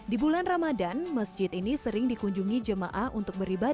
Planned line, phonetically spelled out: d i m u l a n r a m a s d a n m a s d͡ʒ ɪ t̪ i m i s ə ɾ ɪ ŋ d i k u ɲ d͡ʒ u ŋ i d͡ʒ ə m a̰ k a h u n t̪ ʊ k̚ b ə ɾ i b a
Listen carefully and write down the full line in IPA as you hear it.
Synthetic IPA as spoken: d i b u l a n r a m a d a n m a s d͡ʒ ɪ t̪ i n i s ə ɾ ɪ ŋ d i k u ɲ d͡ʒ u ŋ i d͡ʒ ə m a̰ ʔ a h u n t̪ ʊ k̚ b ə ɾ i b a